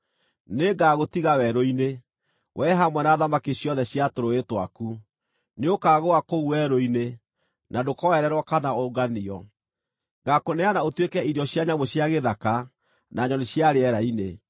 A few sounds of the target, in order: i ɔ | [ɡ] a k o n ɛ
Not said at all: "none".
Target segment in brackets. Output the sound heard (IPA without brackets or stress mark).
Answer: ɡ